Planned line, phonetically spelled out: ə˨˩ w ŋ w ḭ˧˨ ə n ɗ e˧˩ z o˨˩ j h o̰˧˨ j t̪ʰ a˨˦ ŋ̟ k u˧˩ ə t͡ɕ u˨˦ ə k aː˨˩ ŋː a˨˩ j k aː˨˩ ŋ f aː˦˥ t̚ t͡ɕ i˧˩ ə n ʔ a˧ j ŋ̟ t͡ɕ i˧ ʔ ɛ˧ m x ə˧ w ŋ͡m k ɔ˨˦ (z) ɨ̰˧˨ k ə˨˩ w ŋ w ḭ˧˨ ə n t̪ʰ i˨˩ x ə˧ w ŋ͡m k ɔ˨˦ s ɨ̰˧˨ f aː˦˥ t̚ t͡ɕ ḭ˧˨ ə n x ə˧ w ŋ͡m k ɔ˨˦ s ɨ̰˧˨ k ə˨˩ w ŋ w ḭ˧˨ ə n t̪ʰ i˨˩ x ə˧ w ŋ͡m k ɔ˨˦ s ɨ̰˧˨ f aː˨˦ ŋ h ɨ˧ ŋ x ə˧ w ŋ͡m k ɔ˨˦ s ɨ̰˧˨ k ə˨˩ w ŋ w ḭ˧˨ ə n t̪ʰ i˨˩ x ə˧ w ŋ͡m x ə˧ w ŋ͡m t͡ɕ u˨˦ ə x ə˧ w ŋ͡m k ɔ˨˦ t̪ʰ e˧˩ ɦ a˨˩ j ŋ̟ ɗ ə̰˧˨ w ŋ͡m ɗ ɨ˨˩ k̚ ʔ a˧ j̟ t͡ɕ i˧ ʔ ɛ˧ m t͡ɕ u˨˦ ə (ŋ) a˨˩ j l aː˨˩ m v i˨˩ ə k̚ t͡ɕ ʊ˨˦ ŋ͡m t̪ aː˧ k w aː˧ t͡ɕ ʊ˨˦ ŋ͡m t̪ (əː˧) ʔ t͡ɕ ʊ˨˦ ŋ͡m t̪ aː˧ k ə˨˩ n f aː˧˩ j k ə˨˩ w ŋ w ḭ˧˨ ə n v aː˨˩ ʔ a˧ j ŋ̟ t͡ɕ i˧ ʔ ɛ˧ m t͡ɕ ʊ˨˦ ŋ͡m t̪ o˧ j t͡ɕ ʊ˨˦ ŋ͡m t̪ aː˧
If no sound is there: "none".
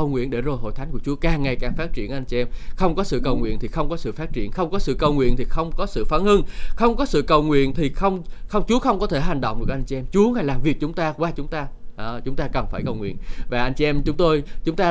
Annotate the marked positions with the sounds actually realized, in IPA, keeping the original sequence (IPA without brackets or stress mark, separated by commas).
s, ŋ, aː˧